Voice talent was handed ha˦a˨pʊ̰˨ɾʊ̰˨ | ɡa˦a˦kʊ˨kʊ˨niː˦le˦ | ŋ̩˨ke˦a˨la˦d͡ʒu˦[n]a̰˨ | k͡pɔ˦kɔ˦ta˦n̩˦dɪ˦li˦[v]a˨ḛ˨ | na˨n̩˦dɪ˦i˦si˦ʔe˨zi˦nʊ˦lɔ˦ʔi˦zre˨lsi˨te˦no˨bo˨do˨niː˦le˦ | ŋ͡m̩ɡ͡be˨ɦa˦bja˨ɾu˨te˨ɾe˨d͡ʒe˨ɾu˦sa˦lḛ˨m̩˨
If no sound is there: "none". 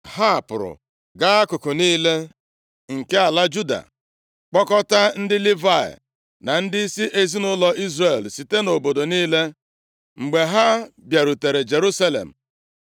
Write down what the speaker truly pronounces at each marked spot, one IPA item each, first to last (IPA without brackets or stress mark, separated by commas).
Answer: d, v